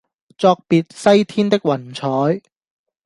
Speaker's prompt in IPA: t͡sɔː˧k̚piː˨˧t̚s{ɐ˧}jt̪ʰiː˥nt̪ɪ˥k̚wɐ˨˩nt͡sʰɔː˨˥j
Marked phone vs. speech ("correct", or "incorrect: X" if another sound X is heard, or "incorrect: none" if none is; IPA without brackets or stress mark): incorrect: ɐ˥